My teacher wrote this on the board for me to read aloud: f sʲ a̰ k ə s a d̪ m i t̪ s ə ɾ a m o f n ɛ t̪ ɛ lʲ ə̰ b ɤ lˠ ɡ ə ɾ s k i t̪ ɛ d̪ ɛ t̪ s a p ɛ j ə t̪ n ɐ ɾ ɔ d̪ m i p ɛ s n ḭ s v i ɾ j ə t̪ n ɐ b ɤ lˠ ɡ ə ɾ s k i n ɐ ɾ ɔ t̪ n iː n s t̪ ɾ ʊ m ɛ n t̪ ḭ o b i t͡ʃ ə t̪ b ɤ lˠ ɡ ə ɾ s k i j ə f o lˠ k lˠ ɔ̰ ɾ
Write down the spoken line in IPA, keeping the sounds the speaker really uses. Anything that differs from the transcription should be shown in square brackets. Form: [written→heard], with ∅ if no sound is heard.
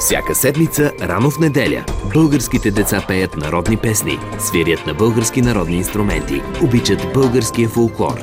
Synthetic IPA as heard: f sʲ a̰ k ə s [a→ɛ] d̪ m i t̪ s ə ɾ a [m→n] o f n ɛ [t̪→d̪] ɛ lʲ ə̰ b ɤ lˠ ɡ ə ɾ s k i t̪ ɛ d̪ ɛ t̪ s a p ɛ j ə t̪ n ɐ ɾ ɔ d̪ [m→n] i p ɛ s n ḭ s v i ɾ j ə t̪ n ɐ b ɤ lˠ ɡ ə ɾ s k i n ɐ ɾ ɔ [t̪→d̪] n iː n s t̪ ɾ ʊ m ɛ n t̪ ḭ o b i t͡ʃ ə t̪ b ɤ lˠ ɡ ə ɾ s k i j ə f o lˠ k lˠ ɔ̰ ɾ